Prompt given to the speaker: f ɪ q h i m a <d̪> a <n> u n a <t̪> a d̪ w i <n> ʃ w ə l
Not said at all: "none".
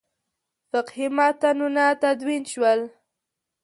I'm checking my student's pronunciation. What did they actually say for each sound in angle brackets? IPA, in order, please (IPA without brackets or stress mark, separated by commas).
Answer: t̪, n, t̪, n